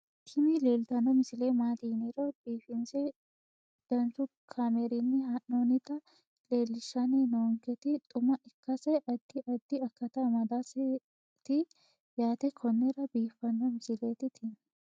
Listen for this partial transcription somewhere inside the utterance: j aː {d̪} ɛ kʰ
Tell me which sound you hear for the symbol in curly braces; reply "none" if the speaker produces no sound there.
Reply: t̪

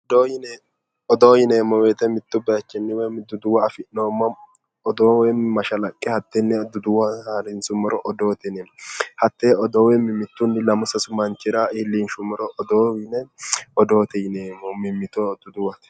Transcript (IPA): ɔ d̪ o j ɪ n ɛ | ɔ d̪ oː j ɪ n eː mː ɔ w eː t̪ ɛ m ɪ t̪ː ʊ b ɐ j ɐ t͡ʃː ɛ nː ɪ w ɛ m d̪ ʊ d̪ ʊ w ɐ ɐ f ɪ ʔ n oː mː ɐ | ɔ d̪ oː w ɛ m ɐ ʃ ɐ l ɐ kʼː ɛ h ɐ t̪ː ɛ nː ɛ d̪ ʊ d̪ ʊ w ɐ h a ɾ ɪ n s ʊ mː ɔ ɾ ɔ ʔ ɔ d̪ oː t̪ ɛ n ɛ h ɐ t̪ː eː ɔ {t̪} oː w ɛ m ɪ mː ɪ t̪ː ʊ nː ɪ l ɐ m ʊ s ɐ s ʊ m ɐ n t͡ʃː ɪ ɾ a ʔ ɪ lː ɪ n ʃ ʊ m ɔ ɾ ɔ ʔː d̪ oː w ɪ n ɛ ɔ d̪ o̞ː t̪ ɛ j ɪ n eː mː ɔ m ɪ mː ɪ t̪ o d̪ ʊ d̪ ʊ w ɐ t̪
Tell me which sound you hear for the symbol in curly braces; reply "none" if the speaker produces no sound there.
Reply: d̪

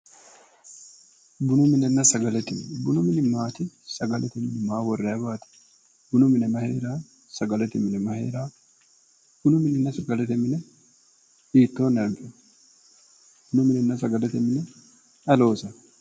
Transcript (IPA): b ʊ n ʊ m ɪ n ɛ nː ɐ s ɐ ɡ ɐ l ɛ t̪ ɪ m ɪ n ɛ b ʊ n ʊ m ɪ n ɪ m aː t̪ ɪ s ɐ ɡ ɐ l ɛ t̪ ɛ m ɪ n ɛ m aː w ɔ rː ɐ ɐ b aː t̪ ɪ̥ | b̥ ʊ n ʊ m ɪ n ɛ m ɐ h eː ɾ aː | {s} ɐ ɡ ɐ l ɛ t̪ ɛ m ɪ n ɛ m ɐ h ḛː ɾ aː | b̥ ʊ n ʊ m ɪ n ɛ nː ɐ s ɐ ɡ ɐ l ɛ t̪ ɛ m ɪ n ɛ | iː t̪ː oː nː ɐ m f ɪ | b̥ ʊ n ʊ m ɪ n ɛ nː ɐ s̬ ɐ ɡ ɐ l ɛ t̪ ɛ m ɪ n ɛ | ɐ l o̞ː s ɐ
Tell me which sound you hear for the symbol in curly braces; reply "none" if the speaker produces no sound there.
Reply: s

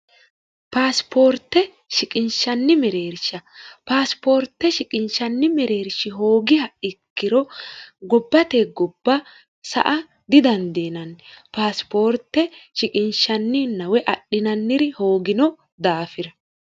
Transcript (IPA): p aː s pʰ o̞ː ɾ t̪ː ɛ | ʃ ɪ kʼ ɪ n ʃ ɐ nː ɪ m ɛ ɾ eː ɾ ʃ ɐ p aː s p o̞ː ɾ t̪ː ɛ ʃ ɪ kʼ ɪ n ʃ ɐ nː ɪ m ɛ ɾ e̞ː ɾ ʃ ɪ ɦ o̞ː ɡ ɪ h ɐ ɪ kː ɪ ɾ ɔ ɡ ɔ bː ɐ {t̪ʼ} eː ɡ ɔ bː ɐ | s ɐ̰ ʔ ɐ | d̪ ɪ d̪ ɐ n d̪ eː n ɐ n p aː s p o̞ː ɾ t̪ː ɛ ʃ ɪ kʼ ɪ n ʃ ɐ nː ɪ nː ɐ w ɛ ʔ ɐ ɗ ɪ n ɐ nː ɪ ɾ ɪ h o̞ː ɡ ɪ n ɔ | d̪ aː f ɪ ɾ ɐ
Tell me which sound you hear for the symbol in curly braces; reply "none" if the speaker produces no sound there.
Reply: t̪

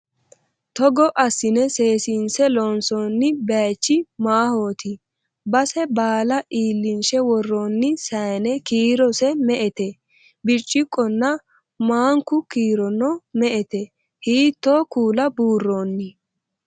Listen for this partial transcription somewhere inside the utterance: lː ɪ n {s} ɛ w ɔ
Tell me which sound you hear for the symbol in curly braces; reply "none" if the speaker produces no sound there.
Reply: ʃ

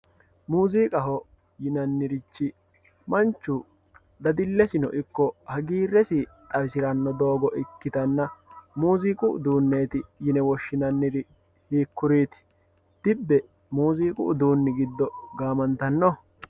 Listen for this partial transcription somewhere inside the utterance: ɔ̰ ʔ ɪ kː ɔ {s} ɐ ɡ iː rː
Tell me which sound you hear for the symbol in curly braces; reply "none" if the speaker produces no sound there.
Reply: h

